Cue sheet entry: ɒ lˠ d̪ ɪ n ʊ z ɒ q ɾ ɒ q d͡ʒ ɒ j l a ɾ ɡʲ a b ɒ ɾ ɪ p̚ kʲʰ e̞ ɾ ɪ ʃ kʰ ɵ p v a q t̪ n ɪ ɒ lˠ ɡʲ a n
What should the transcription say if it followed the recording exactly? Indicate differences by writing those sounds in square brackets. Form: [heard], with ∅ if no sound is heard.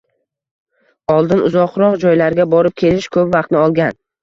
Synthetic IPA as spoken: ɒ lˠ d̪ ɪ n ʊ z ɒ q ɾ ɒ q d͡ʒ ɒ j l a ɾ ɡʲ a b ɒ ɾ ɪ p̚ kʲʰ e̞ [l] ɪ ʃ kʰ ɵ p v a q t̪ n ɪ ɒ lˠ ɡʲ a n